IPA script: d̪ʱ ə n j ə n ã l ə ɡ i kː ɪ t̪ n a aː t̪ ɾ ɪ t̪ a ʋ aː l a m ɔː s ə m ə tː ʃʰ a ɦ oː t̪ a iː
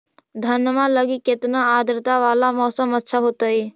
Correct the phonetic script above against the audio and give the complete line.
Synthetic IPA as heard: d̪ʱ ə n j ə m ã l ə ɡ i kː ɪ t̪ n a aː d̪ ɾ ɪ t̪ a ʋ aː l a m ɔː s ə m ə tː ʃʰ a ɦ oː t̪ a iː